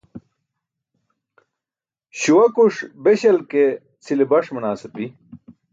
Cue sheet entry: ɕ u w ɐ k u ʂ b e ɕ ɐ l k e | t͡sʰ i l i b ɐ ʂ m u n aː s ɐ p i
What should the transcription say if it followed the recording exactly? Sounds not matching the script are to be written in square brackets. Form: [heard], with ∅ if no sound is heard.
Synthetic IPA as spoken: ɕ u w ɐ k u ʂ b e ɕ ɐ l k e | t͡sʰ i l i b ɐ ʂ m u n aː s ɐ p i